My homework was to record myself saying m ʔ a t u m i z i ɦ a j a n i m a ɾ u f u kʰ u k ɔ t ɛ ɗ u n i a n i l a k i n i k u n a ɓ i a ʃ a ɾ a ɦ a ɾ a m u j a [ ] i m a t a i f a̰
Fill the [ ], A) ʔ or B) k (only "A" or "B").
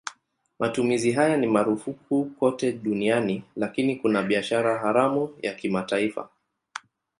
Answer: B